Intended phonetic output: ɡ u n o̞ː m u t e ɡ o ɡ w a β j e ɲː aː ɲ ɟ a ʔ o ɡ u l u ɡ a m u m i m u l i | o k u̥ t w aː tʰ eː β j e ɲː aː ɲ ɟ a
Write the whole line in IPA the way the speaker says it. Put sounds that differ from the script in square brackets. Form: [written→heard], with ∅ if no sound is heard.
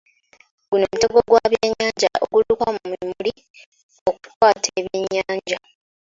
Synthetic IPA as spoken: ɡ u n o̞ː m u t e ɡ o ɡ w a β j e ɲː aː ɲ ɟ a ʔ o ɡ u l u [ɡ→k] a m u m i m u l i | o k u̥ t w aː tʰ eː β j e ɲː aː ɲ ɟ a